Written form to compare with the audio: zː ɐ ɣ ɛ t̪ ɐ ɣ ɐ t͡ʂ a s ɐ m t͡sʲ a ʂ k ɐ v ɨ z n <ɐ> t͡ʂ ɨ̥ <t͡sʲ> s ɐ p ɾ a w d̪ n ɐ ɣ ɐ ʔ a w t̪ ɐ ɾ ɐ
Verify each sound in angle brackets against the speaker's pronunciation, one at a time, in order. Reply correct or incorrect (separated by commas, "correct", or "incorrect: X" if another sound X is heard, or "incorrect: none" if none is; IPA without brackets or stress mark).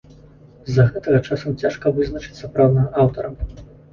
correct, correct